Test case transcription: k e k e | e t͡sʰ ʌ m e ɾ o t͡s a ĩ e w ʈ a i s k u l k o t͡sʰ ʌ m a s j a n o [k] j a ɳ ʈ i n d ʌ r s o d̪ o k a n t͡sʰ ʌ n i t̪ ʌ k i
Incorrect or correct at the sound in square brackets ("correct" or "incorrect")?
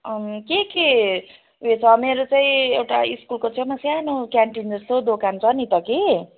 correct